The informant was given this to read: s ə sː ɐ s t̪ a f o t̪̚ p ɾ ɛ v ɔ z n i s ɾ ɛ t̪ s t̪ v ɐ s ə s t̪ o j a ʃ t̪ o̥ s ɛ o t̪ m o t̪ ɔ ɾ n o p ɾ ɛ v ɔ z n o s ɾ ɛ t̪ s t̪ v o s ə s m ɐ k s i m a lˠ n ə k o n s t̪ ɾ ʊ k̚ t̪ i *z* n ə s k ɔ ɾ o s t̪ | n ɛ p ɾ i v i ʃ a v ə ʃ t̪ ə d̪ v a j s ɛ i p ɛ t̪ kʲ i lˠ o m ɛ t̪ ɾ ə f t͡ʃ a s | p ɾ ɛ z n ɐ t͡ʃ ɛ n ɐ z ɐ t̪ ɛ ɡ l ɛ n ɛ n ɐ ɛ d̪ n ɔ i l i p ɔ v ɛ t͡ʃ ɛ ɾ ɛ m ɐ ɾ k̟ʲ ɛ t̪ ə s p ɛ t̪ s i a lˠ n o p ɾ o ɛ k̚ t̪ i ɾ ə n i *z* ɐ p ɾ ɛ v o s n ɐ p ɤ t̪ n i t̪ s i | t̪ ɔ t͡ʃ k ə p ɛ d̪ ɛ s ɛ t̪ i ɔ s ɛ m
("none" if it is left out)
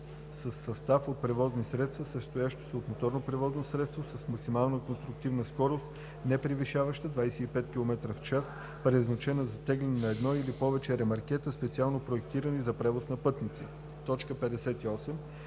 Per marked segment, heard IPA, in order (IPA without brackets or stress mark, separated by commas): v, z